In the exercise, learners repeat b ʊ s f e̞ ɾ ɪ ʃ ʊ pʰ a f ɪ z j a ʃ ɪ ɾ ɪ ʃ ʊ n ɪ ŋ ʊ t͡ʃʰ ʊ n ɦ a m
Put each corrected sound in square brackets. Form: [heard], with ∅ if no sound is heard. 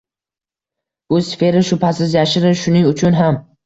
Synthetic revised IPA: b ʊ s f e̞ ɾ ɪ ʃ ʊ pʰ a [s] ɪ z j a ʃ ɪ ɾ ɪ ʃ ʊ n ɪ ŋ ʊ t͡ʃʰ ʊ n ɦ a m